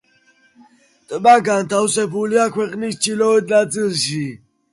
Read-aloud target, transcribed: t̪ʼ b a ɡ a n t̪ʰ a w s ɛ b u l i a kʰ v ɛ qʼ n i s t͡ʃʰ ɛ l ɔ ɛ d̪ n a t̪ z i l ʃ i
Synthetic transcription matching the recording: t̪ʼ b a ɡ a n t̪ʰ a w s ɛ b u l i a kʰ w ɛ qʼ n i s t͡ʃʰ i l ɔ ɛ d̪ n a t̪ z i l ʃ i